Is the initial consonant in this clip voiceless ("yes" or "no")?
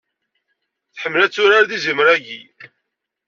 yes